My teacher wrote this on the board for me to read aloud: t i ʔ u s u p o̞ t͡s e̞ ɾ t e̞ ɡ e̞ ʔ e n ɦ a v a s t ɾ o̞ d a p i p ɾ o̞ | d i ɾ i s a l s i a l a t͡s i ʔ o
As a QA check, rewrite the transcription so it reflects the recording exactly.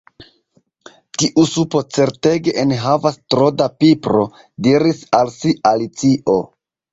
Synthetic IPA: t i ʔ u s u p o̞ t͡s e̞ ɾ t e̞ ɡ e̞ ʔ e n ɦ a v a s t ɾ o̞ d a p i p ɾ o̞ | d i ɾ i s a l s i a l i t͡s i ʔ o